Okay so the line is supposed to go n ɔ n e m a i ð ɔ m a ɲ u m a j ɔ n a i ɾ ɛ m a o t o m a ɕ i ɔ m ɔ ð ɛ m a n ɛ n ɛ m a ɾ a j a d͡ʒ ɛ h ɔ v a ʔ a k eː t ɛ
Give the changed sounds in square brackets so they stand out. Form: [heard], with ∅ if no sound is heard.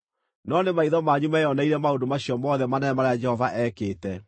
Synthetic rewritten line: n ɔ n e m a i ð ɔ m a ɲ u m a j ɔ n a i ɾ ɛ m a o [d] o m a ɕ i ɔ m ɔ ð ɛ m a n ɛ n ɛ m a ɾ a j a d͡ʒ ɛ h ɔ v a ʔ [ɛ] k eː t ɛ

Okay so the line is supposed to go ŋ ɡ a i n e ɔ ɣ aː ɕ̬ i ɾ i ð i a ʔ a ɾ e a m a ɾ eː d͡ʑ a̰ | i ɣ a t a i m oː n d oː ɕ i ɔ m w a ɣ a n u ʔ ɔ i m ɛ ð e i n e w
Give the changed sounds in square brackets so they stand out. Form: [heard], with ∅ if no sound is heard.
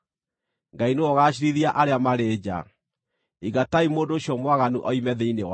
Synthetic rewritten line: ŋ ɡ a i n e ɔ ɣ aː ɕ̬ i ɾ i ð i a ʔ a ɾ e a m a ɾ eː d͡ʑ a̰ | i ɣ a t a i m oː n d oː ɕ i ɔ m w a ɣ a n u ʔ ɔ i m ɛ ð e i n e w

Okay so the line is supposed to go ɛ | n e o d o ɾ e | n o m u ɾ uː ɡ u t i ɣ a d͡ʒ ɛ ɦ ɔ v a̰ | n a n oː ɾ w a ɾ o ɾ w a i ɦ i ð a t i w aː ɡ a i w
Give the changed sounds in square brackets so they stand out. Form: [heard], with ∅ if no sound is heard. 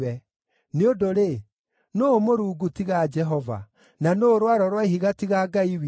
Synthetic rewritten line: ɛ | n e o d o ɾ e | n o m [o] ɾ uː ɡ u t i ɣ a d͡ʒ ɛ ɦ ɔ v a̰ | n a n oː ɾ w a ɾ [ɔ] ɾ w a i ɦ i [ɣ] a t i [ɣ] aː ɡ a i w

